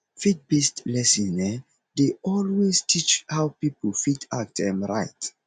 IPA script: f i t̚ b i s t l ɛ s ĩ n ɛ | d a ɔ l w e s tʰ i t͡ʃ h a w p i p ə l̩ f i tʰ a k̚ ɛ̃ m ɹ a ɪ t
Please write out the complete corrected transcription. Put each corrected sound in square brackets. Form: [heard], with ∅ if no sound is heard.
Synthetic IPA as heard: f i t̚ b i s t l ɛ s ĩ n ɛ | d [e] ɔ l w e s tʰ i t͡ʃ h a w p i p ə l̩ f i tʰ a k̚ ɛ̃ m ɹ a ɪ t